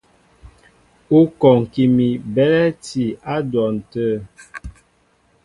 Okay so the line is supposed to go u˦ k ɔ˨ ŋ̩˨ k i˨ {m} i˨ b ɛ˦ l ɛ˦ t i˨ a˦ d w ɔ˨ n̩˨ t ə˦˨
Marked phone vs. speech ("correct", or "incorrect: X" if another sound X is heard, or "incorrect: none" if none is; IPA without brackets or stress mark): correct